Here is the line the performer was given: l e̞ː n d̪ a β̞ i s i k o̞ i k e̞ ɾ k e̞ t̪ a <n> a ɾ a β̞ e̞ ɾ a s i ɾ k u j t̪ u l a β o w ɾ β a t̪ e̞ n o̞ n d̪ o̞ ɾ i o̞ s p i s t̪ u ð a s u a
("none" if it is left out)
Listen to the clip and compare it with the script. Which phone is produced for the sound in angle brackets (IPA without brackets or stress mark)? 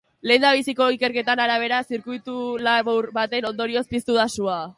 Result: n